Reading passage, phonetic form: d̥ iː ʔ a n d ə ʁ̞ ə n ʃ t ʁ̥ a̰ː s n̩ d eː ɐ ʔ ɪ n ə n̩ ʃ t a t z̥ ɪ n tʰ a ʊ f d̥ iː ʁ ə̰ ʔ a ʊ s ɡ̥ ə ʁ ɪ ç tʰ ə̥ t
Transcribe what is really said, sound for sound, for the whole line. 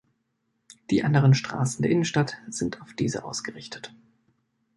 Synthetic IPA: d̥ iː ʔ a n d ə ʁ̞ ə n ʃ t ʁ̥ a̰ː s n̩ d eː ɐ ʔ ɪ n ə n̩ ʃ t a t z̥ ɪ n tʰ a ʊ f d̥ iː z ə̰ ʔ a ʊ s ɡ̥ ə ʁ ɪ ç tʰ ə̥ t